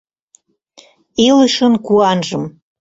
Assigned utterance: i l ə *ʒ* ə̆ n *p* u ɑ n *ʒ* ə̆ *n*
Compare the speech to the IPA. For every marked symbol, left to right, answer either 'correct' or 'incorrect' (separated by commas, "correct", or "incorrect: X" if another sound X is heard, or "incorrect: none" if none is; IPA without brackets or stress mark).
incorrect: ʃ, incorrect: k, correct, incorrect: m